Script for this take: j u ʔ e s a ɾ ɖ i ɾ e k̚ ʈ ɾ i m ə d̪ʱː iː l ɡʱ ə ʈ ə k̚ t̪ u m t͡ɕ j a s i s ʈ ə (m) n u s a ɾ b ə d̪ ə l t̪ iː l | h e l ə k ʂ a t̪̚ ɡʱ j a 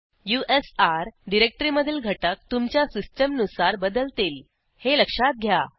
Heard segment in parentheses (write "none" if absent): m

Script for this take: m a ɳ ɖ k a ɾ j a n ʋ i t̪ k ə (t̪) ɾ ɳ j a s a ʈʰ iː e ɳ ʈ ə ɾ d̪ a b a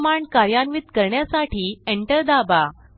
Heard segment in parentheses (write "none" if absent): none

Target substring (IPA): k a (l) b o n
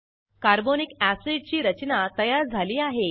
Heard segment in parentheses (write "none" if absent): ɾ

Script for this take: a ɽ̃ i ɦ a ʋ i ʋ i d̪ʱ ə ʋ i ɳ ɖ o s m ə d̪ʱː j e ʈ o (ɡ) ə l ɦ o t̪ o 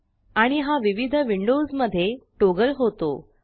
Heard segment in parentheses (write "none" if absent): ɡ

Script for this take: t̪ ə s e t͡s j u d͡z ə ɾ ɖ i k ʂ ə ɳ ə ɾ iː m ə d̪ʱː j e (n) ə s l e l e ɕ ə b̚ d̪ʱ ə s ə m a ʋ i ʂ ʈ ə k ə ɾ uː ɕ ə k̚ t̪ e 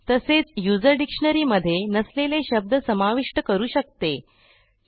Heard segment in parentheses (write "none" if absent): n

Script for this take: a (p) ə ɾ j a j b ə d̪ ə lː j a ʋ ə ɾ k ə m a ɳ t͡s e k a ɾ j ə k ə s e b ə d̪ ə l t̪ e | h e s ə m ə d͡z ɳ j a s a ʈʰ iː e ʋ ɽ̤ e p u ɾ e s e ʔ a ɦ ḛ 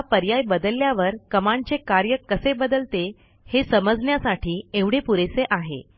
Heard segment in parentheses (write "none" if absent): p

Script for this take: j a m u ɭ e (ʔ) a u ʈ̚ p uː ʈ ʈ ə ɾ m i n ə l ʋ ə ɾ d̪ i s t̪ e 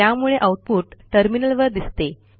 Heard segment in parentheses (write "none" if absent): ʔ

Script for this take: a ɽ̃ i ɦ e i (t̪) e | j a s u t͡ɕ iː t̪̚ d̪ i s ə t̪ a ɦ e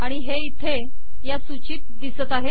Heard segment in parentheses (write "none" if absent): t̪ʰ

